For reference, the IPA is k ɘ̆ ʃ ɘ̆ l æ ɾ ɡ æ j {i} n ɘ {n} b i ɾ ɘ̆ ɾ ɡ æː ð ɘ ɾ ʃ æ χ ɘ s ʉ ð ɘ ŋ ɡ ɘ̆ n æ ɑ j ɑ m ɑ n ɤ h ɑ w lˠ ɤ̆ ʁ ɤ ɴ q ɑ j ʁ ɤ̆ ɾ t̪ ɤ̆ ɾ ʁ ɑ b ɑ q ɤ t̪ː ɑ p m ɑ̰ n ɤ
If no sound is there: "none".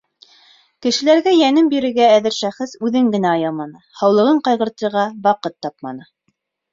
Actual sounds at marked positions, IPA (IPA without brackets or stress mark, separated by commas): æ, m